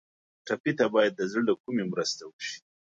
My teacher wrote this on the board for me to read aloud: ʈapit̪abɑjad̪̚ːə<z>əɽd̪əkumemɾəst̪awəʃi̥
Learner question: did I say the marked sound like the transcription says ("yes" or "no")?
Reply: yes